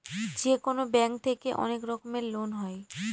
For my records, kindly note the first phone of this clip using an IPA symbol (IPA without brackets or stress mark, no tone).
d͡ʑ